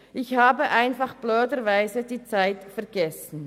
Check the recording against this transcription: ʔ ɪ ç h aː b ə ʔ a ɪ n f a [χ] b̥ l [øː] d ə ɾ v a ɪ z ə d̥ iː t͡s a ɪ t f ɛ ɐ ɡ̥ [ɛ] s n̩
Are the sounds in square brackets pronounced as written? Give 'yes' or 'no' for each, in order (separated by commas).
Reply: yes, yes, yes